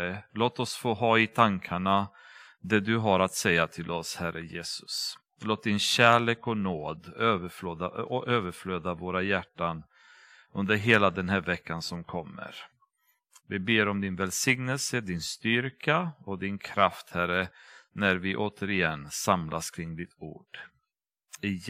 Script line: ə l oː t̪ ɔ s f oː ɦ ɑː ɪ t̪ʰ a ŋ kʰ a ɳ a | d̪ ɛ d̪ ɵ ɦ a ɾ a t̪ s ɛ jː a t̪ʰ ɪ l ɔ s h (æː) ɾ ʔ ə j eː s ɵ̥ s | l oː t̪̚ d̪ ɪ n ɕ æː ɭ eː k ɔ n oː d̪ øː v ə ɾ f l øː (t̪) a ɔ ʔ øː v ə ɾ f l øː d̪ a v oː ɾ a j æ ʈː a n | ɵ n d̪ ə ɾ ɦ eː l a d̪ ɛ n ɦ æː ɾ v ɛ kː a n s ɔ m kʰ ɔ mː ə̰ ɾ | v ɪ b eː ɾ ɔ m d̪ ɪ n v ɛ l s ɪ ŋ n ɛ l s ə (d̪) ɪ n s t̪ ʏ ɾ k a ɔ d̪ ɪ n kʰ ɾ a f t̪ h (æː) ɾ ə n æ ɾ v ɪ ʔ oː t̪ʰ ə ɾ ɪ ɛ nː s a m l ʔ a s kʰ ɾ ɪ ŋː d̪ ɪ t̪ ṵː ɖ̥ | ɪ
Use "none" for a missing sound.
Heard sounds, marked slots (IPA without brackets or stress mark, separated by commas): æ, d̪, d̪, æ